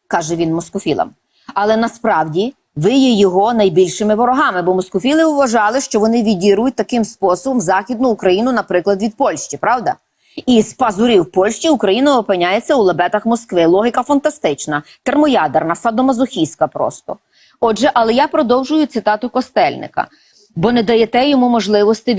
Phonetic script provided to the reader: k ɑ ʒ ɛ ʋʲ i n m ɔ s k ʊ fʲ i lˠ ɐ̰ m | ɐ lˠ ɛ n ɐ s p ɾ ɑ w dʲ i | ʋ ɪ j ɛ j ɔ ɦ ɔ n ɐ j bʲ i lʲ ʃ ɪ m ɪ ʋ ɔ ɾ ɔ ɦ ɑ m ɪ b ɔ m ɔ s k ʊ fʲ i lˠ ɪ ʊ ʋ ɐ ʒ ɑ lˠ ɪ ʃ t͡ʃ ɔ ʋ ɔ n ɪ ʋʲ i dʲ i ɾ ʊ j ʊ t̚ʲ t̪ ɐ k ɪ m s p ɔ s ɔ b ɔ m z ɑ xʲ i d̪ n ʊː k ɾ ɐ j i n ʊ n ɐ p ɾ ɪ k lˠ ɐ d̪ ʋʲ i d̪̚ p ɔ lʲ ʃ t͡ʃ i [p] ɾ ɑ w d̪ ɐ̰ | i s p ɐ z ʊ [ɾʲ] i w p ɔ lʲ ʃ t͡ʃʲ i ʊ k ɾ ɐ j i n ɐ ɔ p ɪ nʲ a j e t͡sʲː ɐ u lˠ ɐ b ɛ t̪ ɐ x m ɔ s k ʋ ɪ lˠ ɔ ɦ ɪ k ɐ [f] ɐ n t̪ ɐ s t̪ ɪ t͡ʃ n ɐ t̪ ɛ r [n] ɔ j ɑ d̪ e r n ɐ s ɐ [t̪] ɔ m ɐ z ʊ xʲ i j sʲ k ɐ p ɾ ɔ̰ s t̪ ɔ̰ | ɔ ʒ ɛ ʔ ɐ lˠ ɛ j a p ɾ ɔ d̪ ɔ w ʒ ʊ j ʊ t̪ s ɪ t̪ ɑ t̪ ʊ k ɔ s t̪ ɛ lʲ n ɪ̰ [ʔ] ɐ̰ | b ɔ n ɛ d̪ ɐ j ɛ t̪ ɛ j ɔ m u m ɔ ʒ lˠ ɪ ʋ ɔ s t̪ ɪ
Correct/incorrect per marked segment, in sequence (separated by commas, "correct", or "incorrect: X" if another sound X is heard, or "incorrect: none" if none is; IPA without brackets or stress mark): correct, correct, correct, incorrect: m, incorrect: d̪, incorrect: k